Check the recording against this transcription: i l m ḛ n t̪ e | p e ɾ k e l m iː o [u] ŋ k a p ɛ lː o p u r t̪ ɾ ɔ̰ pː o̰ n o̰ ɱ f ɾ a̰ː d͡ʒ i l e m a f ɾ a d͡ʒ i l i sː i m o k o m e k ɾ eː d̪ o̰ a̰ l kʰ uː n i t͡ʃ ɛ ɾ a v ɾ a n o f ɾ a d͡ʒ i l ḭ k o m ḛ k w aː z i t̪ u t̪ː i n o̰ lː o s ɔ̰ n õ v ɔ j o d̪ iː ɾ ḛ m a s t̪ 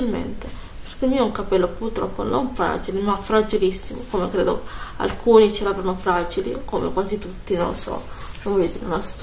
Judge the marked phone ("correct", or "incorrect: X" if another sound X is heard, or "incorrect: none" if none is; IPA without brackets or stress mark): correct